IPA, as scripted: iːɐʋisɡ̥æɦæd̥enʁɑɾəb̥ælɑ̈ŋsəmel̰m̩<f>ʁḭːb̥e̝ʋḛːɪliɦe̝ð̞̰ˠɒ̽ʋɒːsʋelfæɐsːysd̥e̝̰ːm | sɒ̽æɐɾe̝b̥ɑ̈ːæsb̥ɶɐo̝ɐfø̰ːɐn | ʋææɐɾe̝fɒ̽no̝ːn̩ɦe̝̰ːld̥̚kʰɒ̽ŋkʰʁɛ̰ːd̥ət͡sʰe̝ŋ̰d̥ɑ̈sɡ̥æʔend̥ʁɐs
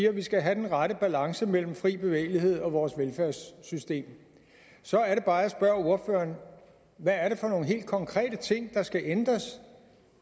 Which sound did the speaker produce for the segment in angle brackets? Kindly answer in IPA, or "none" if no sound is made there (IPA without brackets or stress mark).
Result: f